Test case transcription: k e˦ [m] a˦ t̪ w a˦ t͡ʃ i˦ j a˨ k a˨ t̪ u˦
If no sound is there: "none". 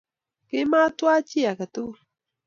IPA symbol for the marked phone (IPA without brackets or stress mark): m